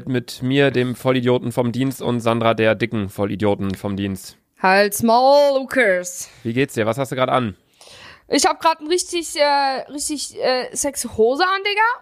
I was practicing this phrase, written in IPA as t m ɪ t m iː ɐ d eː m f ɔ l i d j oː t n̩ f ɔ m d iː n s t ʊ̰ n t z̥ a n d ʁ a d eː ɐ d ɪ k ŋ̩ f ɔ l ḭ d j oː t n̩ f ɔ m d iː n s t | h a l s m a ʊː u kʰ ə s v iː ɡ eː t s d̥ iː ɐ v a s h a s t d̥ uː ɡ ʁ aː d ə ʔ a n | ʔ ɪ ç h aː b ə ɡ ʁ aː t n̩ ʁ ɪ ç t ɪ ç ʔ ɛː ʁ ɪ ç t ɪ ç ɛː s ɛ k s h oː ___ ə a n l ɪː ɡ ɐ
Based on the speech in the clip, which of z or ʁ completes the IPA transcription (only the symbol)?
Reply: z